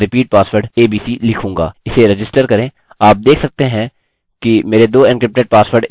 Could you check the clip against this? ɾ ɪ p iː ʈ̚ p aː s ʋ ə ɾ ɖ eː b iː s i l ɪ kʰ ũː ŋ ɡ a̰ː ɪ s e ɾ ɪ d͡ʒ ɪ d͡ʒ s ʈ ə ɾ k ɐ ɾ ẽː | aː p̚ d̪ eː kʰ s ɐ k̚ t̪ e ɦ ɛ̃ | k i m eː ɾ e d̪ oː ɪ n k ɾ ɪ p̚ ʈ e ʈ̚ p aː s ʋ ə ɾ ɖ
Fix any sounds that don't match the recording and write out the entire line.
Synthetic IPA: ɾ ɪ p iː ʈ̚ p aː s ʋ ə ɾ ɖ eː b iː s i l ɪ kʰ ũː ŋ ɡ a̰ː ɪ s e ɾ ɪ d͡ʒ ɪ s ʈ ə ɾ k ɐ ɾ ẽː | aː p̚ d̪ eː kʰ s ɐ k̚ t̪ e ɦ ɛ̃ | k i m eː ɾ e d̪ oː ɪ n k ɾ ɪ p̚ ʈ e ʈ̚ p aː s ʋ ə ɾ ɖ